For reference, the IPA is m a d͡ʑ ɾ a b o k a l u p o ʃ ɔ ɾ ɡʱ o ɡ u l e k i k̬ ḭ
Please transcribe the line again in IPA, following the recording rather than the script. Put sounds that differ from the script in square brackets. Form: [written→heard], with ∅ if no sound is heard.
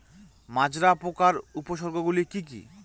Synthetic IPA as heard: m a d͡ʑ ɾ a [b→p] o k a [l→ɾ] u p o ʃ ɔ ɾ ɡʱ o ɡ u l [e→i] k i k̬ ḭ